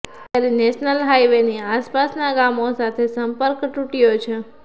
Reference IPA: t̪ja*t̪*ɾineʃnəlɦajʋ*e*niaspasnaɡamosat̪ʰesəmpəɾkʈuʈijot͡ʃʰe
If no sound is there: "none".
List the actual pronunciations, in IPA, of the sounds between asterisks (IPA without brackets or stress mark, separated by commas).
none, e